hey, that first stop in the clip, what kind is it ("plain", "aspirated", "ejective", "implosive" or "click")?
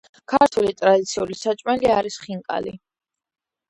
aspirated